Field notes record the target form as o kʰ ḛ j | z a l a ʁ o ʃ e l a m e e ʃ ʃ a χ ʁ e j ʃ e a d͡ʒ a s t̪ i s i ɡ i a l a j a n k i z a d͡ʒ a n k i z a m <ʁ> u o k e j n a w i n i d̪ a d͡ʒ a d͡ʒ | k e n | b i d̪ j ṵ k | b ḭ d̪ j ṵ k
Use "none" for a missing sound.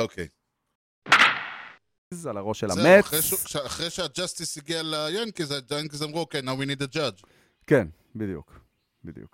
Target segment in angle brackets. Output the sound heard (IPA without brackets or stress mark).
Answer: ʁ